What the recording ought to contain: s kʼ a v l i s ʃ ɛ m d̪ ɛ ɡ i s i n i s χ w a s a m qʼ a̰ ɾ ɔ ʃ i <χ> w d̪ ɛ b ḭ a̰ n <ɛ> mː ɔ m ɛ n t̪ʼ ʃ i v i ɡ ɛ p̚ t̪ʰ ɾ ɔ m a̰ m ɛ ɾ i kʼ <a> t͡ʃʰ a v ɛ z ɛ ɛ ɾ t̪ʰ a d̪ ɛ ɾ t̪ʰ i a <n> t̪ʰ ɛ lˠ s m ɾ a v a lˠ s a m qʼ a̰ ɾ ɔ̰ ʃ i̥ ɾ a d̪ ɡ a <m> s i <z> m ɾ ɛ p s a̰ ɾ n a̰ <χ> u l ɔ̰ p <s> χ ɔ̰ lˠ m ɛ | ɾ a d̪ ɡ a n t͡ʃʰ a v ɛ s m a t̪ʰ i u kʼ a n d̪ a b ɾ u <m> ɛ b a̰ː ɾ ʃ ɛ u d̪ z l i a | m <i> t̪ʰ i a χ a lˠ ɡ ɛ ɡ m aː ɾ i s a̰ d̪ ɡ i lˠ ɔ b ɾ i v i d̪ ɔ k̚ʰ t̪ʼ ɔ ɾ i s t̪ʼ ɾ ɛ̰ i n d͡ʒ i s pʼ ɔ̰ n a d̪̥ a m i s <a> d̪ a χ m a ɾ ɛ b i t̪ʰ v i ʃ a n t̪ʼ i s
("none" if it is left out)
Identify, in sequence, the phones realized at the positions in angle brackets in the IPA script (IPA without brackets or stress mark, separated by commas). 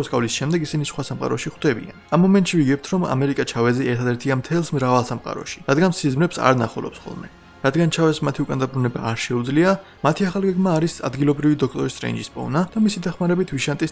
χ, a, a, m, n, z, χ, s, n, a, i